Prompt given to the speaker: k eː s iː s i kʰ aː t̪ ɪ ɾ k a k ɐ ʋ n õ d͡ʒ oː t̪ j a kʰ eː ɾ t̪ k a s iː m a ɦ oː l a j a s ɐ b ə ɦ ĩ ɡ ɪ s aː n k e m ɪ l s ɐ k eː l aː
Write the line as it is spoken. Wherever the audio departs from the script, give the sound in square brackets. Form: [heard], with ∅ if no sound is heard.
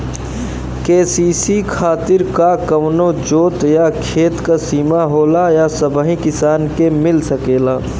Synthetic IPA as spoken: k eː s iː s i kʰ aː t̪ ɪ ɾ k a k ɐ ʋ n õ d͡ʒ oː t̪ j a kʰ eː [∅] t̪ k a s iː m a ɦ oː l a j a s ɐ b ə ɦ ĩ [k] ɪ s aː n k e m ɪ l s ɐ k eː l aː